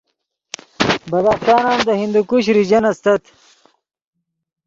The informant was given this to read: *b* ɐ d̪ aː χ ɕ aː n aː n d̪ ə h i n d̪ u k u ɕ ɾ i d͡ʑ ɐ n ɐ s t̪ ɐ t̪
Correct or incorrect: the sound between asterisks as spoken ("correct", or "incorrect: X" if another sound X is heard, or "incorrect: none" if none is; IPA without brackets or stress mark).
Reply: correct